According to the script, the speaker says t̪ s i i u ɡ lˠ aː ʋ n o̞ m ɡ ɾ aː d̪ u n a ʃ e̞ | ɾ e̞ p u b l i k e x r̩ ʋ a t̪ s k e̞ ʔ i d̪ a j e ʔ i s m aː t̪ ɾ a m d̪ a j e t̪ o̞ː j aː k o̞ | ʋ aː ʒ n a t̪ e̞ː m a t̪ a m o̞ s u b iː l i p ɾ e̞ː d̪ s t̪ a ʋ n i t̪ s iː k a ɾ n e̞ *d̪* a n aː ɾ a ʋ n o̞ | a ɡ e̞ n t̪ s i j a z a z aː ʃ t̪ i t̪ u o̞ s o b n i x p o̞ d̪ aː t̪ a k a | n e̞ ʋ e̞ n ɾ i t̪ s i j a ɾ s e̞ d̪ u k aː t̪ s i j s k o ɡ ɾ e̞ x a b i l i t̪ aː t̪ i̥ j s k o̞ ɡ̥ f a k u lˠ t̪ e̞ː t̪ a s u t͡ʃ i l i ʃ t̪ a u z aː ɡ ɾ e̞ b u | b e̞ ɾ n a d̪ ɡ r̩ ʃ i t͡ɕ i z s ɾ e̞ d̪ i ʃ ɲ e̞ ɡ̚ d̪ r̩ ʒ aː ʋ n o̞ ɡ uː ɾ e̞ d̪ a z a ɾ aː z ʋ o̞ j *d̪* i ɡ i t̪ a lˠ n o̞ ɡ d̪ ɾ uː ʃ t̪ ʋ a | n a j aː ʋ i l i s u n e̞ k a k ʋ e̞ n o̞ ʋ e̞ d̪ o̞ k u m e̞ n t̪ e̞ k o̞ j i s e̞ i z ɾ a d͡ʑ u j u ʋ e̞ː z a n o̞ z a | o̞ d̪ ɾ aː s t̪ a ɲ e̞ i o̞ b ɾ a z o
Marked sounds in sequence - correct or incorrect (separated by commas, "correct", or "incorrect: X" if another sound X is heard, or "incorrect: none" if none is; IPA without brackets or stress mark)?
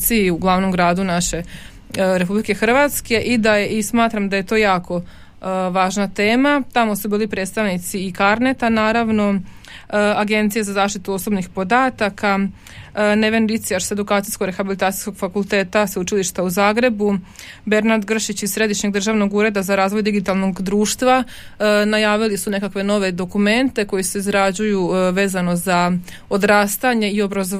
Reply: incorrect: t̪, correct